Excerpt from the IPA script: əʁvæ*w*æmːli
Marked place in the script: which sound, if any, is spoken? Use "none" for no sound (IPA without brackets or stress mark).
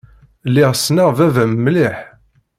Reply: v